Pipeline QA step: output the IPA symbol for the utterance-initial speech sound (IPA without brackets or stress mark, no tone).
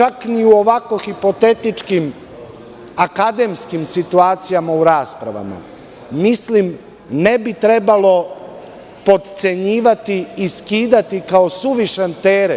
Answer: t͡ʃ